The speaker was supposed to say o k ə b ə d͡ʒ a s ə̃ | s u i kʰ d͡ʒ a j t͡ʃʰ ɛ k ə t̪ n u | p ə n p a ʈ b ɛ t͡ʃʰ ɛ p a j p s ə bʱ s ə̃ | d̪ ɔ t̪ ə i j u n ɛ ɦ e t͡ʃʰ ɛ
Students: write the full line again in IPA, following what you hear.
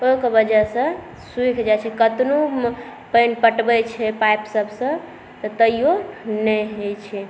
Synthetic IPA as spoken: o k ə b ə d͡ʒ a s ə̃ | s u i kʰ d͡ʒ a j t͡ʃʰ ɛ k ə t̪ n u | p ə n p ə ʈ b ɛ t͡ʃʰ ɛ p a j p s ə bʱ s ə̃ | t̪ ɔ t̪ ə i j o n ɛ ɦ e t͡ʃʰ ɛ